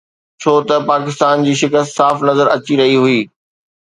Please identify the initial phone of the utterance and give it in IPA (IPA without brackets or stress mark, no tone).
t͡ɕʰ